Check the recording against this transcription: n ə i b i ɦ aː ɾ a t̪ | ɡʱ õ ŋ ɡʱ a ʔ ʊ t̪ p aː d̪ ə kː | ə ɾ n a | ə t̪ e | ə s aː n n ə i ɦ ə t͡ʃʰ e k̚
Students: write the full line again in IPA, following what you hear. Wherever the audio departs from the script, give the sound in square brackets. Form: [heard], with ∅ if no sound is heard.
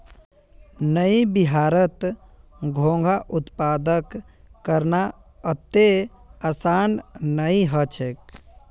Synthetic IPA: n ə i b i ɦ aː ɾ [ə] t̪ | ɡʱ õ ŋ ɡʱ a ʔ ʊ t̪ p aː d̪ ə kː | ə ɾ n a | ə t̪ e | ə s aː n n ə i ɦ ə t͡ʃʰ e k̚